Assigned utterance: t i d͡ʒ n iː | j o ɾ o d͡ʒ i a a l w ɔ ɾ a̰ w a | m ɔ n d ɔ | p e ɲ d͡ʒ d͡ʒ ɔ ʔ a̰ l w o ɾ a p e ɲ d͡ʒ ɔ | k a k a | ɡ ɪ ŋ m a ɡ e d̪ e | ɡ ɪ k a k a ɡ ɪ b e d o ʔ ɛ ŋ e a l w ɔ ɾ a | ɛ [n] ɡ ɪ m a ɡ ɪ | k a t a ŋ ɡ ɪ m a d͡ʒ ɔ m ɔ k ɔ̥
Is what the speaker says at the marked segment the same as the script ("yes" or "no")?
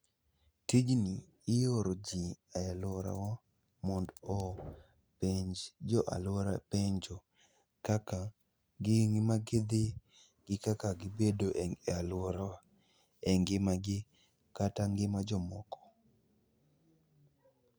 no